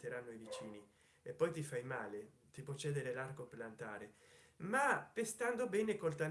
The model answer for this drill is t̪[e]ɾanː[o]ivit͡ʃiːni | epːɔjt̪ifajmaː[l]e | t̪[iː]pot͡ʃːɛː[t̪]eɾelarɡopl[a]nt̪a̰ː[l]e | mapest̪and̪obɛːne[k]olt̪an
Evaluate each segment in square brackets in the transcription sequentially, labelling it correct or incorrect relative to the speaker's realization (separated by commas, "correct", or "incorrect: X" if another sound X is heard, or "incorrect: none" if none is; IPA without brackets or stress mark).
correct, correct, correct, incorrect: i, incorrect: d̪, correct, incorrect: ɾ, correct